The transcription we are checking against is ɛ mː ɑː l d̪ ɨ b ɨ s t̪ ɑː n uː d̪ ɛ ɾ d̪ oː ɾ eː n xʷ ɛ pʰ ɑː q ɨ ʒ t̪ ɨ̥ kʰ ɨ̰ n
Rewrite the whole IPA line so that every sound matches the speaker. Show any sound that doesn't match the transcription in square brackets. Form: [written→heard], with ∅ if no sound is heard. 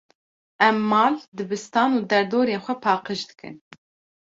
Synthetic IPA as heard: ɛ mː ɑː l d̪ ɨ b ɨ s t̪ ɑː n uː d̪ ɛ ɾ d̪ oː ɾ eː n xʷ ɛ pʰ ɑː q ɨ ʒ [t̪→d̪] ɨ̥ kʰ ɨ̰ n

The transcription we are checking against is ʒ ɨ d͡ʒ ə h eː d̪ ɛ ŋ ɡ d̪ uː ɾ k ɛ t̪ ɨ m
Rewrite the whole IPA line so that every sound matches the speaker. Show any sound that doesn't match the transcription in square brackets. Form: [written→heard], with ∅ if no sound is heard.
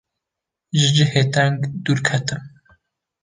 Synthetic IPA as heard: ʒ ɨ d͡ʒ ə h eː [d̪→t̪] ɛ ŋ ɡ d̪ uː ɾ [k→kʰ] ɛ t̪ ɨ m

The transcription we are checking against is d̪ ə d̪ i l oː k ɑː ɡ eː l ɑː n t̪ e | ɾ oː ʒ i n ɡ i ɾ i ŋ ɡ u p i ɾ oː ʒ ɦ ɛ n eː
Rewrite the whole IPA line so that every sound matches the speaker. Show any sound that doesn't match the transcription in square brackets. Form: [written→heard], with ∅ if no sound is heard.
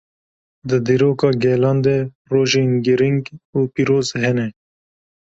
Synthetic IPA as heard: d̪ ə d̪ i [l→ɾ] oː k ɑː ɡ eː l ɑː n [t̪→d̪] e | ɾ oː ʒ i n ɡ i ɾ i ŋ ɡ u p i ɾ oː [ʒ→z] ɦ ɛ n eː

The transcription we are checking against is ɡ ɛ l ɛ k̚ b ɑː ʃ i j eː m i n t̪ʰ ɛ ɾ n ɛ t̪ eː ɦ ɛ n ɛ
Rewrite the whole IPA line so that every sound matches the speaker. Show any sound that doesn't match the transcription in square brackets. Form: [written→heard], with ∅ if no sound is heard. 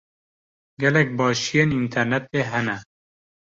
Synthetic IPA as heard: ɡ ɛ l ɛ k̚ b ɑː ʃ i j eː [m→n] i n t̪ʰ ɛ ɾ n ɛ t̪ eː ɦ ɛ n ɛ

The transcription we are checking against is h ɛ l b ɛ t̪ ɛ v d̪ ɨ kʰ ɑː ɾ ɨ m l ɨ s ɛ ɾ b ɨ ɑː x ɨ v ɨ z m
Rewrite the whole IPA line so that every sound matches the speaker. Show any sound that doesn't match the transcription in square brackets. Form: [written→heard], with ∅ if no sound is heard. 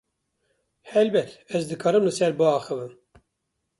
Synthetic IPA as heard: h ɛ l b ɛ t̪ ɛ [v→z] d̪ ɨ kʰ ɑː ɾ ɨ m l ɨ s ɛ ɾ b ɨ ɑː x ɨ v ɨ [z→∅] m

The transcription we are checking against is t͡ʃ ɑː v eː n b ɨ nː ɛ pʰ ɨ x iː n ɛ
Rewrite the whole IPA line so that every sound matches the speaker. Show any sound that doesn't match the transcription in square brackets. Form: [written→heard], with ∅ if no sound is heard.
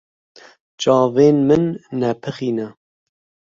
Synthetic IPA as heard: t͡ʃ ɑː v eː n [b→m] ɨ nː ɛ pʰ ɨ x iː n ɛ

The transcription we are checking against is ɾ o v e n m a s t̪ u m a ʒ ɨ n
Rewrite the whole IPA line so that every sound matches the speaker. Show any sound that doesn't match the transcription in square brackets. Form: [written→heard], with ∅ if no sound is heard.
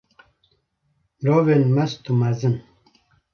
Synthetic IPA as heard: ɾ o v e n m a s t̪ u m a [ʒ→z] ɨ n

